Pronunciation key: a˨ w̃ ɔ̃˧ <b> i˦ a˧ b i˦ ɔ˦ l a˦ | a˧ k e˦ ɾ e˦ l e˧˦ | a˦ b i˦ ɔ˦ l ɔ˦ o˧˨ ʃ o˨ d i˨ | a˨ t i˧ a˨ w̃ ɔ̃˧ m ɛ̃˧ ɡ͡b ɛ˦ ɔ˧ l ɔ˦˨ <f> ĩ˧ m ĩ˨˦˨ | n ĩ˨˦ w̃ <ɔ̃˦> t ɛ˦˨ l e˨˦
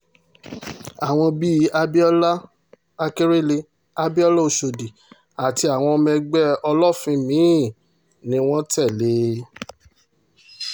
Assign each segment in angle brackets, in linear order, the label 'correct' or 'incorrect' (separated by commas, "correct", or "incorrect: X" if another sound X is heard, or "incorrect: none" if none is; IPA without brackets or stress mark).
correct, correct, correct